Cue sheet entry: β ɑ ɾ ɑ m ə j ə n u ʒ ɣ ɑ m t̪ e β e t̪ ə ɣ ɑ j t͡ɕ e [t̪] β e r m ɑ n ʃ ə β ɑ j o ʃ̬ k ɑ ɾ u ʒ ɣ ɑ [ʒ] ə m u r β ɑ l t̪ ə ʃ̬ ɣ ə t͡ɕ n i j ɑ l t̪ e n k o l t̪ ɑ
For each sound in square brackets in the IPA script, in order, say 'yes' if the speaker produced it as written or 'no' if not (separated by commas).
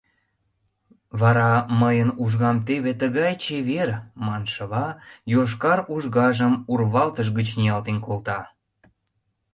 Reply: no, yes